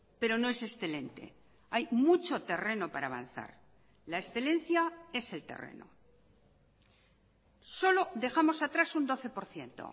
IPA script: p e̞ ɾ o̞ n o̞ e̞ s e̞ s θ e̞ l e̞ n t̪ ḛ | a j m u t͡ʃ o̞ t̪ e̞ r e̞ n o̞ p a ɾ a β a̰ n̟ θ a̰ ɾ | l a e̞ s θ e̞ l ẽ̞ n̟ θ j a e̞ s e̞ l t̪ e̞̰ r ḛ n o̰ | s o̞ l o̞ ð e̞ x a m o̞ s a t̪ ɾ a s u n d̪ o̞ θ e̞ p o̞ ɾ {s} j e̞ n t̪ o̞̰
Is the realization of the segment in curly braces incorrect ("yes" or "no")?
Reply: yes